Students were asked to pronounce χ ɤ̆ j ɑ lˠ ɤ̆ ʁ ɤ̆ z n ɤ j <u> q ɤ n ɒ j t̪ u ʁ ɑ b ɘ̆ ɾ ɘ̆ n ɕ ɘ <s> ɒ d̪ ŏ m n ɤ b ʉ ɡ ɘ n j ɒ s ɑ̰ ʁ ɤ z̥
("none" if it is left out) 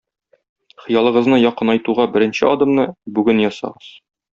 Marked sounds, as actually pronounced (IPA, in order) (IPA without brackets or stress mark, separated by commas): ɒ, none